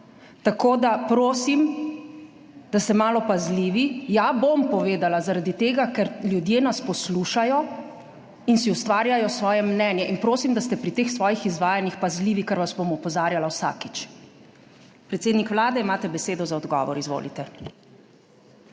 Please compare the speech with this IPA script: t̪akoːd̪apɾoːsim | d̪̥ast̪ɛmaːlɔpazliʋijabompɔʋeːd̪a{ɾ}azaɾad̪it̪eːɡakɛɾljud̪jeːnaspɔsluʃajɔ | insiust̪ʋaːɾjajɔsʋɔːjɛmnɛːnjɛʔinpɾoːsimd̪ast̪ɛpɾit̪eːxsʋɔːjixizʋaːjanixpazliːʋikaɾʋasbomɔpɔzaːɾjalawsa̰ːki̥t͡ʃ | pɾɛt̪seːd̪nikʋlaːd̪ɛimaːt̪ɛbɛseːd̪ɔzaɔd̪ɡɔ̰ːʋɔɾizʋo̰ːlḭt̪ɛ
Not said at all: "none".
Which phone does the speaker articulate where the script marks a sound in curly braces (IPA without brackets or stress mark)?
l